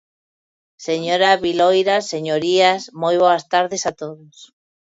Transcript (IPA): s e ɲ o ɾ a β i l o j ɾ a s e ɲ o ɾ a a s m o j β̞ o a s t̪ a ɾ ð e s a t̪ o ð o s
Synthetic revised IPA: s e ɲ o ɾ a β i l o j ɾ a s e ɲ o ɾ i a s m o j β̞ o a s t̪ a ɾ ð e s a t̪ o ð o s